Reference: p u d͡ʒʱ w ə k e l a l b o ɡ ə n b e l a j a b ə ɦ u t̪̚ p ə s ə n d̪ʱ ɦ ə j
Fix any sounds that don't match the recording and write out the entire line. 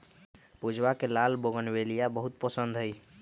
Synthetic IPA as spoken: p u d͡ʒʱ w a k e l a l b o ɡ ə n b e l i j a b ə ɦ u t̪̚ p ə s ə n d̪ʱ ɦ ə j